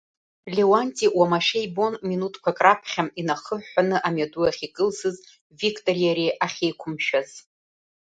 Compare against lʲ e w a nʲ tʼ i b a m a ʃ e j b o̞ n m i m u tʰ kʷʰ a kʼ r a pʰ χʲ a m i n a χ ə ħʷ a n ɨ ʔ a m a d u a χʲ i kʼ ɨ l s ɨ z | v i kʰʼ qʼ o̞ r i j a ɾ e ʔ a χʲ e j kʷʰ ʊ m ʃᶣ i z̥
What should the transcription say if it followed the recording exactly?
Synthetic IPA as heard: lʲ e w a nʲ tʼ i w a m a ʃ e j b o̞ n m i n u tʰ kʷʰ a kʼ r a pʰ χʲ a m i n a χ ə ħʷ a n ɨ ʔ a m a d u a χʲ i kʼ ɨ l s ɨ z | v i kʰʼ tʼ o̞ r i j a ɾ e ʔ a χʲ e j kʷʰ ʊ m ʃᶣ a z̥